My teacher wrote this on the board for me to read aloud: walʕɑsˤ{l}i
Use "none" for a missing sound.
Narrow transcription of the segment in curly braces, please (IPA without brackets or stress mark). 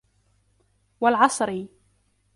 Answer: ɾ